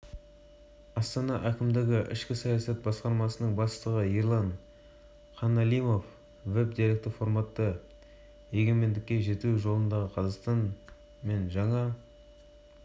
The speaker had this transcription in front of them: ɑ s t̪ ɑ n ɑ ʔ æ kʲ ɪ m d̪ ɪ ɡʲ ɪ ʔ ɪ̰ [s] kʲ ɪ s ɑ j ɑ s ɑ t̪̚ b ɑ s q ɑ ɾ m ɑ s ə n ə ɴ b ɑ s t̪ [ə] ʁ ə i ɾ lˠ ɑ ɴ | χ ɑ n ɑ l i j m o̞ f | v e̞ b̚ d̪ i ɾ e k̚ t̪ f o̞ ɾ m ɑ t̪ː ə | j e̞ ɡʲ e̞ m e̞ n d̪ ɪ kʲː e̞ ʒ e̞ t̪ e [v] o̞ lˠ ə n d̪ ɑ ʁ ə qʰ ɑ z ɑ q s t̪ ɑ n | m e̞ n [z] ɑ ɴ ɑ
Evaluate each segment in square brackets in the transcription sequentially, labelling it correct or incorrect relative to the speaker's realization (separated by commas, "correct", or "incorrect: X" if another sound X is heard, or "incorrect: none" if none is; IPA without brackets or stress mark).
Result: incorrect: ʃ, correct, incorrect: ʒ, incorrect: ʒ